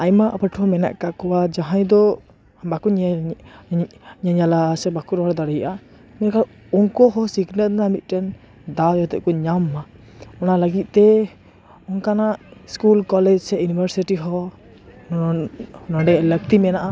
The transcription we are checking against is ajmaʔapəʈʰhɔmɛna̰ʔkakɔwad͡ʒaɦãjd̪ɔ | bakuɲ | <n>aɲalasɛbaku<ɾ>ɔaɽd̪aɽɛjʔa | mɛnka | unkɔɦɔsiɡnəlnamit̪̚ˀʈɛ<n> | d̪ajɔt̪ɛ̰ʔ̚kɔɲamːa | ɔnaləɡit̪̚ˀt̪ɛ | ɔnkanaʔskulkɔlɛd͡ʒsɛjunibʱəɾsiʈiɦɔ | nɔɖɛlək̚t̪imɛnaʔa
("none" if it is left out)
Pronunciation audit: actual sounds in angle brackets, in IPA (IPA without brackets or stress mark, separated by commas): ɲ, ɾ, n